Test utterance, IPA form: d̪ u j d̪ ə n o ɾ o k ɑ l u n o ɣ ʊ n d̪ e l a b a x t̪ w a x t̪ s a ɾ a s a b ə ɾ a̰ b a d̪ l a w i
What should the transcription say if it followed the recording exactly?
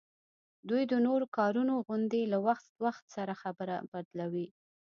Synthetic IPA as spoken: d̪ u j d̪ ə n o ɾ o k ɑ ɾ u n o ɣ ʊ n d̪ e l a w a x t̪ w a x t̪ s a ɾ a x a b ə ɾ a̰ b a d̪ l a w i